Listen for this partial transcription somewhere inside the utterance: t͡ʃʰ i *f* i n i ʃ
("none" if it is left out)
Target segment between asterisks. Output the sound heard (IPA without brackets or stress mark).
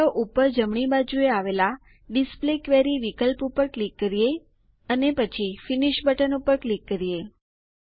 f